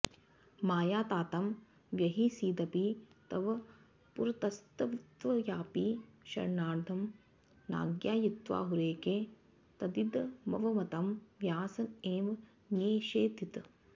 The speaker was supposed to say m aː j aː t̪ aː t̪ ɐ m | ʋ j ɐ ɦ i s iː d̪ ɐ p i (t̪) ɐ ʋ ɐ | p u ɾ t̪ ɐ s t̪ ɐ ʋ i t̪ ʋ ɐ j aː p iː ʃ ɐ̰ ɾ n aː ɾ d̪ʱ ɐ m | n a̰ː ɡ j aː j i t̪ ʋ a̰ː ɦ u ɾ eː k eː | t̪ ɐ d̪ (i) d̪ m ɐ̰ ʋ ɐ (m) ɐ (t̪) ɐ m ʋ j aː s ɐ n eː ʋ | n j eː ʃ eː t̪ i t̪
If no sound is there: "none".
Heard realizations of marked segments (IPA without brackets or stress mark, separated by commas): t̪, i, m, t̪